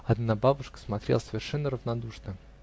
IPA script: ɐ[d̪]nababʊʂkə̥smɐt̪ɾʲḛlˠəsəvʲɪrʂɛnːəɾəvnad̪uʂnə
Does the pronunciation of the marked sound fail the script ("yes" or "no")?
no